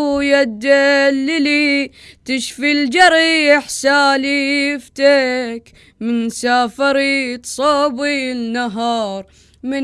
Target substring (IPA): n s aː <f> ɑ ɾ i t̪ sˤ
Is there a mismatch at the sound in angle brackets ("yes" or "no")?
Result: no